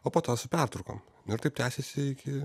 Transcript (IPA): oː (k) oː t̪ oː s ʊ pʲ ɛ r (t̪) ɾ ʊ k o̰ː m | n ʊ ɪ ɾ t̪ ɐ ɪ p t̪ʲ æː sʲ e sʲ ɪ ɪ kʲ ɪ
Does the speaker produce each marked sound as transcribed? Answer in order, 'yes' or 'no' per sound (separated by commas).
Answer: no, yes